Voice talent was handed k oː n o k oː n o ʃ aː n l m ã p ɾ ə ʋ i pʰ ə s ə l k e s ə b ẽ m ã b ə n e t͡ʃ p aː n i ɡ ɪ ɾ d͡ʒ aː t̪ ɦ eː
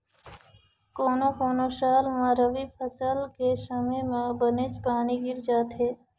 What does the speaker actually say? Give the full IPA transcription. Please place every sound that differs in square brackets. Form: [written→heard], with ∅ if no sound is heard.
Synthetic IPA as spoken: k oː n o k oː n o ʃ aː [n→∅] l m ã [p→∅] ɾ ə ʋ i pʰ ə s ə l k e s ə [b→m] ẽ m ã b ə n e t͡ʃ p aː n i ɡ ɪ ɾ d͡ʒ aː t̪ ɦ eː